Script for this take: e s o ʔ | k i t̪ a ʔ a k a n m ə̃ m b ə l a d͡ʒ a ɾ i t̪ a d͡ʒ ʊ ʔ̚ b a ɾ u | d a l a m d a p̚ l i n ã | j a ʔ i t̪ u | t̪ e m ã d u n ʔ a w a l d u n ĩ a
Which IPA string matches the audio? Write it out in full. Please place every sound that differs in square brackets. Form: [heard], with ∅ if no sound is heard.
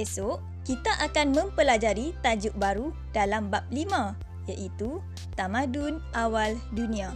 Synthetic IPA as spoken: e s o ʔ | k i t̪ a ʔ a k a n m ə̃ m [p] ə l a d͡ʒ a ɾ i t̪ a d͡ʒ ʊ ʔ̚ b a ɾ u | d a l a m [b] a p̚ l i [m] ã | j a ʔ i t̪ u | t̪ [a] m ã d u n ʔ a w a l d u n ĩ a